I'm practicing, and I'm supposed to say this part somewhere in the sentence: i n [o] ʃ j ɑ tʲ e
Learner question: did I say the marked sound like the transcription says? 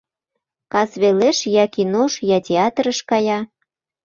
yes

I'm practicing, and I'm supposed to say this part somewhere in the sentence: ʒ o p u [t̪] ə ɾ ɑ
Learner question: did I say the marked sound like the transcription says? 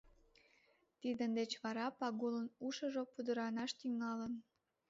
no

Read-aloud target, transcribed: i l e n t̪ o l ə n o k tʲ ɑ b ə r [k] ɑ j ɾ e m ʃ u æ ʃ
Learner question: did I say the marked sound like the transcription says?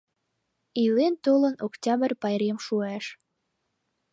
no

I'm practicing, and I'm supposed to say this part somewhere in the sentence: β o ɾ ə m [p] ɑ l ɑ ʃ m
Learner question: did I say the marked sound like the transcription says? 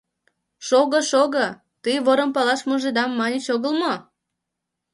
yes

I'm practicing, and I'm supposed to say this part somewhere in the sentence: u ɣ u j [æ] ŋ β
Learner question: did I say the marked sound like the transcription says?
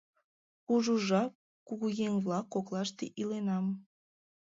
no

